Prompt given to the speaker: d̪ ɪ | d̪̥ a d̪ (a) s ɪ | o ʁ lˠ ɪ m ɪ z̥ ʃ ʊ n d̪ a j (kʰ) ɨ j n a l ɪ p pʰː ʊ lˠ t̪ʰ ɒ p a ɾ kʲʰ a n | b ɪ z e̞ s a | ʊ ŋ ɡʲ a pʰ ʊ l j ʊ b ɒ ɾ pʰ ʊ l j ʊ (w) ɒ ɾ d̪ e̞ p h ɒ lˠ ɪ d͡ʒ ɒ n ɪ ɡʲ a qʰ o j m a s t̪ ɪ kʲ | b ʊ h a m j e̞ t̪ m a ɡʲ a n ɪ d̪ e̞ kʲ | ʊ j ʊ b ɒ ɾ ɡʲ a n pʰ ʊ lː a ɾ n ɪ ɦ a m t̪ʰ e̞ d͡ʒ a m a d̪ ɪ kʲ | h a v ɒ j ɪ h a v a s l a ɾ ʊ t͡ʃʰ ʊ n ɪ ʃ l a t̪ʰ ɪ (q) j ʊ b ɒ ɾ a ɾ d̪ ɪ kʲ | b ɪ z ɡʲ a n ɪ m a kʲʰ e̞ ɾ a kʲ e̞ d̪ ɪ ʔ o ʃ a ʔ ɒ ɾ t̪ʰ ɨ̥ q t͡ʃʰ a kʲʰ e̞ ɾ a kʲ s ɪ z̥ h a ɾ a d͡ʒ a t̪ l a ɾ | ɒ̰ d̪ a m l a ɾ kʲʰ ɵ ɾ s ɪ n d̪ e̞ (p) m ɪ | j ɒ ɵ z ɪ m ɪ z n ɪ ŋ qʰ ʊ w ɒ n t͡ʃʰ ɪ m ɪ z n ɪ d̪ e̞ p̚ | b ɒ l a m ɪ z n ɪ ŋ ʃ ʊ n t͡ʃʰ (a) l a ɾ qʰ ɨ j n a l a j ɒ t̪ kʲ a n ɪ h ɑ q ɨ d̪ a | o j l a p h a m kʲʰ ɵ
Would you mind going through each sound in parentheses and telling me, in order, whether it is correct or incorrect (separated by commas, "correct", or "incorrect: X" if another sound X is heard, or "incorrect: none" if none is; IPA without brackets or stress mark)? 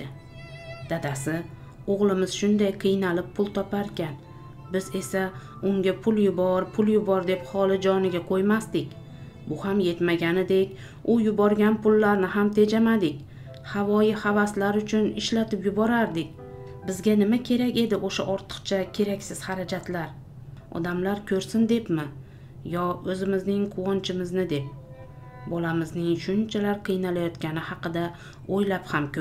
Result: correct, incorrect: qʰ, incorrect: b, incorrect: p, correct, correct